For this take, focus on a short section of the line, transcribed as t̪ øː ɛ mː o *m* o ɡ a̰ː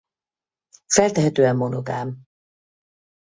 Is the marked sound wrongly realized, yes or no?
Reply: yes